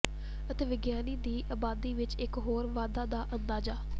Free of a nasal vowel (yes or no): yes